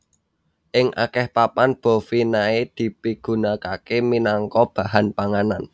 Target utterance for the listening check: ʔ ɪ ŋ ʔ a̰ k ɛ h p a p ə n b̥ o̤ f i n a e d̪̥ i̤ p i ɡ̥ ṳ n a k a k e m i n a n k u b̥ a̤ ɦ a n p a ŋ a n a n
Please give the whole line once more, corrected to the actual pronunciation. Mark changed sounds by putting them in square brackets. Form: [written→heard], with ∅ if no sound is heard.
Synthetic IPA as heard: ʔ ɪ ŋ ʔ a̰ k ɛ h p a p [ə→a] n b̥ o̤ f i n a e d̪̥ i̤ p i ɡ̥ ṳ n a k a k e m i n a [n→ŋ] k [u→ɔ] b̥ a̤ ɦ a n p a ŋ a n a n

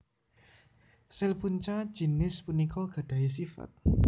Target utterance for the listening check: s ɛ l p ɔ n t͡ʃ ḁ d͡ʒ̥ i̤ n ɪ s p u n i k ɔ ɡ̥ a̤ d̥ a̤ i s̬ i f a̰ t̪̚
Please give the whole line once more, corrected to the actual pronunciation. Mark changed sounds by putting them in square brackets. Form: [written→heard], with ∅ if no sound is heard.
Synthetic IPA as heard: s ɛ l p [ɔ→u] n t͡ʃ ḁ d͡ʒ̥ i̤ n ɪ s p u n i k ɔ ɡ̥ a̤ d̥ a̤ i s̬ i f a̰ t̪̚

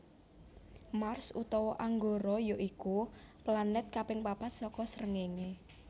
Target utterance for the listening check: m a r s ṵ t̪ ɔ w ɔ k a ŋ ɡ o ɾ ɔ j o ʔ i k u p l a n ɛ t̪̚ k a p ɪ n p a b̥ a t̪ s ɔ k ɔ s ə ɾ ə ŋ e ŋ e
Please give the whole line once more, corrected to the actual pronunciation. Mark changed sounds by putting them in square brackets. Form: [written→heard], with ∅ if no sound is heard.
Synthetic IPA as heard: m a r s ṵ t̪ ɔ w ɔ [k→ʔ] a ŋ ɡ o ɾ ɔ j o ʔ i k u p l a n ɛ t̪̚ k a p ɪ [n→ŋ] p a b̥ a t̪ s ɔ k ɔ s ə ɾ ə ŋ e ŋ e

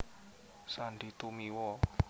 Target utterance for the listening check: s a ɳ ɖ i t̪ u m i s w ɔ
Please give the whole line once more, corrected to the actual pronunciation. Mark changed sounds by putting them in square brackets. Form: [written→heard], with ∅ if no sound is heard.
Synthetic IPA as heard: s a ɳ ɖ i t̪ u m i [s→∅] w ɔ

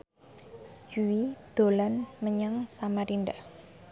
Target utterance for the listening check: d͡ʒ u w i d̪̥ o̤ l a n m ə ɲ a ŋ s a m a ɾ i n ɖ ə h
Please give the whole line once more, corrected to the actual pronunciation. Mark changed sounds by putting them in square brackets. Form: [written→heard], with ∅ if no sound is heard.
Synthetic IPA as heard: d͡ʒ u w i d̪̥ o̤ l a n m ə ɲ a ŋ s a m a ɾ i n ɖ [ə→a] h

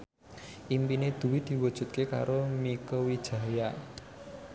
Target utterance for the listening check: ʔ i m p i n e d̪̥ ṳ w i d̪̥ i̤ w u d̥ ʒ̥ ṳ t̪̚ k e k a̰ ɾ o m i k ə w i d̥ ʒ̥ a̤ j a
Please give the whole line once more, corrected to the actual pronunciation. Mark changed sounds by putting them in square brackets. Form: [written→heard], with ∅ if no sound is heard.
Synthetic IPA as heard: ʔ i m p i n e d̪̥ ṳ w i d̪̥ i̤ w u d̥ ʒ̥ ṳ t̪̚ k e k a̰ ɾ o m i k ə w i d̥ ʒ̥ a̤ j a

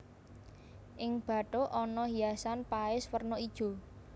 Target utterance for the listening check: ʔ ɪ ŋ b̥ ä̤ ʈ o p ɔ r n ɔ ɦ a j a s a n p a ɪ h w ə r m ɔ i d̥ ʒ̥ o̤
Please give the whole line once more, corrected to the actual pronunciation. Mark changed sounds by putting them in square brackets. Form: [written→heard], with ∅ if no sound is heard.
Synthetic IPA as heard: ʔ ɪ ŋ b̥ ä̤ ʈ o [p→ʔ] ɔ [r→∅] n ɔ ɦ [a→i] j a s a n p a ɪ [h→s] w ə r [m→n] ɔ i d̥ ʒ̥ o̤

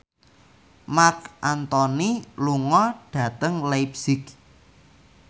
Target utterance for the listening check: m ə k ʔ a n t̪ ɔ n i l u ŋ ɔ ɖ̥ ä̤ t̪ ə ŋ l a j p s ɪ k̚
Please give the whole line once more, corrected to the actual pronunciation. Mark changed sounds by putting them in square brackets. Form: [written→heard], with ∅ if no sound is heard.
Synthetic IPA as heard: m [ə→a] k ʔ a n t̪ ɔ n i l u ŋ ɔ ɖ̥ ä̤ t̪ ə ŋ l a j p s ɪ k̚

